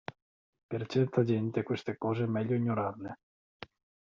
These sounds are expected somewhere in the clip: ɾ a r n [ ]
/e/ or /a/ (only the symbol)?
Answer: e